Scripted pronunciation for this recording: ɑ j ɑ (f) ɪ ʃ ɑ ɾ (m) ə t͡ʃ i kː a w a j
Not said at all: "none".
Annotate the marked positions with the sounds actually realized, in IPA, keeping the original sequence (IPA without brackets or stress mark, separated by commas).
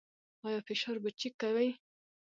f, b